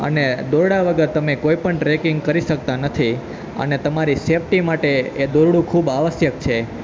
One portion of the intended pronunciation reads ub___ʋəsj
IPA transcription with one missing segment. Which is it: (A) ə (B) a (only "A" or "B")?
B